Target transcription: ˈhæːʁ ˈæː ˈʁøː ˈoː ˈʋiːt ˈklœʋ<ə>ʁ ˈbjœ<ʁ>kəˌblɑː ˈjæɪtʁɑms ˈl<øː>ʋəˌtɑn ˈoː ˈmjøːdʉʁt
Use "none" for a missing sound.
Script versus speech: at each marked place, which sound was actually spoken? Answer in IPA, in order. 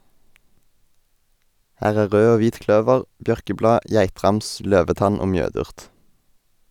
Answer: ə, ʁ, øː

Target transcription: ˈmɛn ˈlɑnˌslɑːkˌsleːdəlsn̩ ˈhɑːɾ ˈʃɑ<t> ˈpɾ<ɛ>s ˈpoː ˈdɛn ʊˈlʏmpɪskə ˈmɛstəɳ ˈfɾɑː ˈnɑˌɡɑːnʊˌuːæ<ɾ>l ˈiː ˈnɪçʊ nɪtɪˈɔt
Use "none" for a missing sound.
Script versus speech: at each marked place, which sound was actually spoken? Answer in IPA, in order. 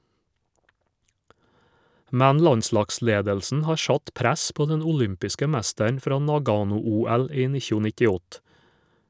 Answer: t, æ, none

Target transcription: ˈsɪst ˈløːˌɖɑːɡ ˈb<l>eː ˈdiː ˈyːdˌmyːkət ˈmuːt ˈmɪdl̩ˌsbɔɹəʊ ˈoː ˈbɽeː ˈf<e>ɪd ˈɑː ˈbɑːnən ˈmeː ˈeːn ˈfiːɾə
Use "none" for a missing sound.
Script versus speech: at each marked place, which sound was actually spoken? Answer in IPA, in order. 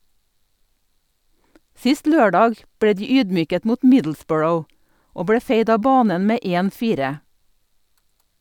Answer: ɽ, e

